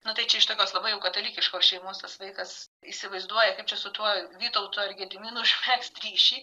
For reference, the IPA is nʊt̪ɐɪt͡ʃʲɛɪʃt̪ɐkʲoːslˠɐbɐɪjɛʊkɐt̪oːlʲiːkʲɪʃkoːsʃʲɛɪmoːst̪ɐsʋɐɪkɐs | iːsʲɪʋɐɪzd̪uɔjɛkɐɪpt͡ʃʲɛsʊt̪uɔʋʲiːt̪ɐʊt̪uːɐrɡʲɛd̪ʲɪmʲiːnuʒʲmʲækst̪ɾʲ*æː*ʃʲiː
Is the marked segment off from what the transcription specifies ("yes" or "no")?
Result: yes